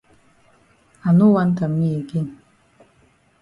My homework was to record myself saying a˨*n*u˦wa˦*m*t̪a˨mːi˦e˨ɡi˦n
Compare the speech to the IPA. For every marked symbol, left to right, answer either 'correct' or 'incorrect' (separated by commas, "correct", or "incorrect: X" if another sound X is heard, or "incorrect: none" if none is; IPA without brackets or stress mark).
correct, incorrect: n